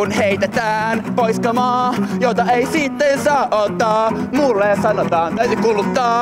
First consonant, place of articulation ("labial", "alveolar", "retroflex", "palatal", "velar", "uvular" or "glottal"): alveolar